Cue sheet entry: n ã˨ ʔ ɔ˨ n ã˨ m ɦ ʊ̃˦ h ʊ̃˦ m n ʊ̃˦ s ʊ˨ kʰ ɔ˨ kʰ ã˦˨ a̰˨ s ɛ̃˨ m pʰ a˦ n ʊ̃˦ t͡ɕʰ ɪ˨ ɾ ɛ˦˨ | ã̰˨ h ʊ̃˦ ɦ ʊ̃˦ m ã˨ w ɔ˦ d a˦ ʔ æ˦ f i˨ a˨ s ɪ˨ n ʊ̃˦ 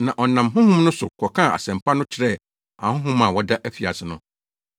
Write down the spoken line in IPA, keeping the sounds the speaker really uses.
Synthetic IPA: n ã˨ ʔ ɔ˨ n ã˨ m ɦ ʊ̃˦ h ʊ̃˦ m n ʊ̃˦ s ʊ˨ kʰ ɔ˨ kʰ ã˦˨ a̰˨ s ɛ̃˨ m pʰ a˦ n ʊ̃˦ t͡ɕʰ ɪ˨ ɾ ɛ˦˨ | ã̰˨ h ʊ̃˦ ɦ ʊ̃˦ m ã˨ w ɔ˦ d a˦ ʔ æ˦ f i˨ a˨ s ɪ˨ n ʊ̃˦